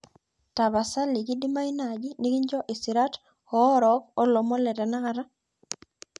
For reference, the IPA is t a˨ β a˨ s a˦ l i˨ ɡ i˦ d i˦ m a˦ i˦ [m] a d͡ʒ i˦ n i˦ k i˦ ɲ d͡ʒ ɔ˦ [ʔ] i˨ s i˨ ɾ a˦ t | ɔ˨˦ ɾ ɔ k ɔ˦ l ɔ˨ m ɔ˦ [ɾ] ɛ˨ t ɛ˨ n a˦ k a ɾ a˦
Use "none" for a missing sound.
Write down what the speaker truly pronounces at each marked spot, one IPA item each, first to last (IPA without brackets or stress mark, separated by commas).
n, ʔ, l